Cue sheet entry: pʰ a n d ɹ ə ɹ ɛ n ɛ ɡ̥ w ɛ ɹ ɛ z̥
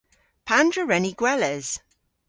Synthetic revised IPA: pʰ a n d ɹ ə ɹ ɛ n i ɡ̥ w ɛ l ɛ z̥